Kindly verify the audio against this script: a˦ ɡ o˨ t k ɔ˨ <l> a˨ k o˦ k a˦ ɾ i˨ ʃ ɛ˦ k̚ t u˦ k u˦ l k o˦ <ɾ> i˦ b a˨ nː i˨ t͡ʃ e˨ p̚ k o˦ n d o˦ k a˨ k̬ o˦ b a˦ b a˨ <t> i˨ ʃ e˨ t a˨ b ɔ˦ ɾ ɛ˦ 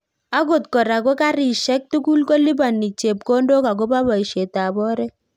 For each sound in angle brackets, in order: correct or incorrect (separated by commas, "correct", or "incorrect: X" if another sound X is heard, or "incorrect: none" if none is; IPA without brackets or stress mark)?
incorrect: ɾ, incorrect: l, incorrect: none